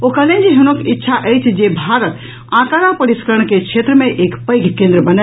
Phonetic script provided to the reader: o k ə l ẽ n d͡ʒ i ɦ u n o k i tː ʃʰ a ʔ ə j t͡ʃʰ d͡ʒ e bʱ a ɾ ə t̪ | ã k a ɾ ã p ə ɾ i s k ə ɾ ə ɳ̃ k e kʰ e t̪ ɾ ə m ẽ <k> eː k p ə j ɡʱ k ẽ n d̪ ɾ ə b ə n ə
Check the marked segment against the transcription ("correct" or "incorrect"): incorrect